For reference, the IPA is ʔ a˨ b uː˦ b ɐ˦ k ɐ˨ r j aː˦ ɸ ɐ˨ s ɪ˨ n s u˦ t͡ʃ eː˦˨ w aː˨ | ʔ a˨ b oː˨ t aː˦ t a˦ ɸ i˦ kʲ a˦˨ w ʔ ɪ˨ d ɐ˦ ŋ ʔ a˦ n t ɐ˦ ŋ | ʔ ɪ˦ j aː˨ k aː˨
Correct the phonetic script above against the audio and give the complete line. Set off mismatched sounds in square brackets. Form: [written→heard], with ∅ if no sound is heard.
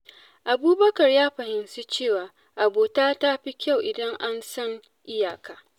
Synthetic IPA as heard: ʔ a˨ b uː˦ b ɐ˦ k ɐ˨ r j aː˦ ɸ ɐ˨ [s→h] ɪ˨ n s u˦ t͡ʃ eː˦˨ w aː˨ | ʔ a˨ b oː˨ t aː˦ t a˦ ɸ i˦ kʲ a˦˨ w ʔ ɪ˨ d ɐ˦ ŋ ʔ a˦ n [t→s] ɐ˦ ŋ | ʔ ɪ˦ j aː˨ k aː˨